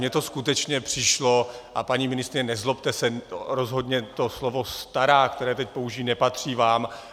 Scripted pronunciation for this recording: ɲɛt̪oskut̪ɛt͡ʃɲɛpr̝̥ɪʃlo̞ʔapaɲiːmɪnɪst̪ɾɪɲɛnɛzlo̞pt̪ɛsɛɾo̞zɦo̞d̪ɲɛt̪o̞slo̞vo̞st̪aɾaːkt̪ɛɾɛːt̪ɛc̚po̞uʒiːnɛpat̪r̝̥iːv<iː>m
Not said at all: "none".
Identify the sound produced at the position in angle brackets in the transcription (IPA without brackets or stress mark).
aː